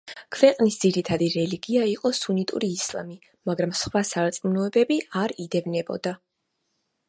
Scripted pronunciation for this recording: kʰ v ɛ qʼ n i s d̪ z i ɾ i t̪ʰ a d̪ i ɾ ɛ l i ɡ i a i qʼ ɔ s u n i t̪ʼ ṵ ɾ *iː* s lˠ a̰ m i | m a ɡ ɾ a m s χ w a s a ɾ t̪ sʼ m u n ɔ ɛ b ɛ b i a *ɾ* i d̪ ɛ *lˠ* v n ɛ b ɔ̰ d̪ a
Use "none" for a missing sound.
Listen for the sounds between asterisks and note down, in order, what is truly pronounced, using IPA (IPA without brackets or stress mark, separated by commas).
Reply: iː, ɾ, none